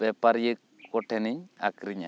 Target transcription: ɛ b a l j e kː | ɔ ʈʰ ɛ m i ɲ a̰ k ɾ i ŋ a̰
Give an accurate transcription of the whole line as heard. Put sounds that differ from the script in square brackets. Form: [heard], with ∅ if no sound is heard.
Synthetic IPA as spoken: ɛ [p] a [ɾ] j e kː | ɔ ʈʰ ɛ [n] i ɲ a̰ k ɾ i [ɲ] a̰